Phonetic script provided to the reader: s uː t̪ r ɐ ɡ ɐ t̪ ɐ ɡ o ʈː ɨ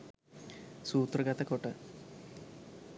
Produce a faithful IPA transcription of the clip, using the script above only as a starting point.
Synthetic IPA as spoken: s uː t̪ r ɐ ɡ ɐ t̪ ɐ k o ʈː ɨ